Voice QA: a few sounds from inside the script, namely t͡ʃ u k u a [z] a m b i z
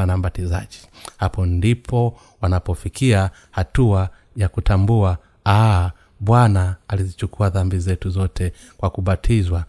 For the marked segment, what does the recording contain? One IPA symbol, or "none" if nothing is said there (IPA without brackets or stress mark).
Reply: ð